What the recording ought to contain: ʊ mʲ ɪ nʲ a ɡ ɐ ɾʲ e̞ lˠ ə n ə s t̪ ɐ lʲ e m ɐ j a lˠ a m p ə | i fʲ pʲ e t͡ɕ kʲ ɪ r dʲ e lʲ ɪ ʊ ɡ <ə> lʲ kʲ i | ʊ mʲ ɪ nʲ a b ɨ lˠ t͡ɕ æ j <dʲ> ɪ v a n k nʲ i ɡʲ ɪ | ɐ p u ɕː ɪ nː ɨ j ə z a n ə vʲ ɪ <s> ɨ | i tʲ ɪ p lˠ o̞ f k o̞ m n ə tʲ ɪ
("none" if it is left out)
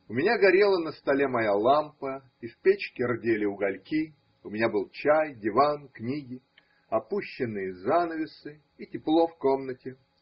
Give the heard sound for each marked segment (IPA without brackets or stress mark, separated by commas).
ɐ, dʲ, s